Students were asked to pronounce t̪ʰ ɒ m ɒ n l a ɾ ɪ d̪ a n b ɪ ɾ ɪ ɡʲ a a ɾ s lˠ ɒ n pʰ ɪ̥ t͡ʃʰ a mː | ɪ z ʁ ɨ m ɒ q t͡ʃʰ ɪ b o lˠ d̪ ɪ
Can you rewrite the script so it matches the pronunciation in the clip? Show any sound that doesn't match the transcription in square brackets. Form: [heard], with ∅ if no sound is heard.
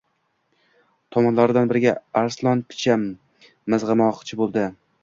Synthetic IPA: t̪ʰ ɒ m ɒ n l a ɾ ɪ d̪ a n b ɪ ɾ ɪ ɡʲ a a ɾ s lˠ ɒ n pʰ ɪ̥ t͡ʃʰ a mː | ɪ z ʁ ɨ m ɒ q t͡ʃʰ ɪ b o lˠ d̪ ɪ